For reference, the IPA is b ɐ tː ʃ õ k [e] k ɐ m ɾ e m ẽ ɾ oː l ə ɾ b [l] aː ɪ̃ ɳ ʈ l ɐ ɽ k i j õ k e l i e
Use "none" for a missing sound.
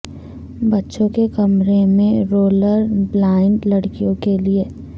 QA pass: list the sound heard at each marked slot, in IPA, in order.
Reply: e, l

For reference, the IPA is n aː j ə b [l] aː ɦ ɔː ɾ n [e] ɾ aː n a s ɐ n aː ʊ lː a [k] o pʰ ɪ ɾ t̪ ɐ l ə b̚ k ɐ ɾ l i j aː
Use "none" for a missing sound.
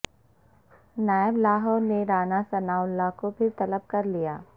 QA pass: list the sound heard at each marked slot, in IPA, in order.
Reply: l, e, k

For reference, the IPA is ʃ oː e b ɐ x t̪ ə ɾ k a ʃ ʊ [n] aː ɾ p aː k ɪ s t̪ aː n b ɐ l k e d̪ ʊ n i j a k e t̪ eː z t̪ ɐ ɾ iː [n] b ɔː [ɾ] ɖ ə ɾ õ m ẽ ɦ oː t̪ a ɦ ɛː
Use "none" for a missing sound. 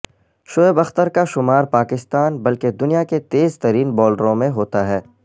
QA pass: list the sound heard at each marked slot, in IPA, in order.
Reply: m, n, l

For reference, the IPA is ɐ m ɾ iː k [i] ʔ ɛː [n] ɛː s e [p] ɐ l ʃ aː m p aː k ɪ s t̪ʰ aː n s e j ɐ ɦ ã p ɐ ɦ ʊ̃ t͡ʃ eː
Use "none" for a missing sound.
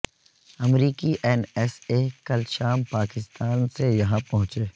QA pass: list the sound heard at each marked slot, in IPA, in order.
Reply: i, n, k

